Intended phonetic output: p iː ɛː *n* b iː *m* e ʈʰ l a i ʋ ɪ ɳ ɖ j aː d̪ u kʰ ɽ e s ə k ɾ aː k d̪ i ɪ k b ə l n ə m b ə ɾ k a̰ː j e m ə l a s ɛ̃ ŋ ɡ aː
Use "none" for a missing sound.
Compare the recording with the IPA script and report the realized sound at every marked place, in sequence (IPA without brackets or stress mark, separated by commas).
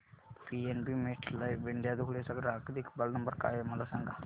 n, m